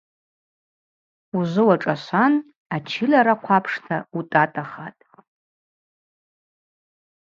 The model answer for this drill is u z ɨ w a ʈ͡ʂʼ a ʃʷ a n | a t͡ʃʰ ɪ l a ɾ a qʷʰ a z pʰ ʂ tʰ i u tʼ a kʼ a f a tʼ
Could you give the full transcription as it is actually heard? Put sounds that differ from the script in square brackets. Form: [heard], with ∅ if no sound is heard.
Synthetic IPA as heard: u z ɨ w a ʈ͡ʂʼ a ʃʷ a n | a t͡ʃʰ ɪ l a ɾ a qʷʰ a [∅] pʰ ʂ tʰ [a] u tʼ a [tʼ] a [χ] a tʼ